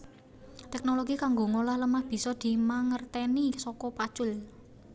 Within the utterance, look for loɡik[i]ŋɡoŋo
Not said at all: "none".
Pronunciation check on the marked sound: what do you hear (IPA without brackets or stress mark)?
a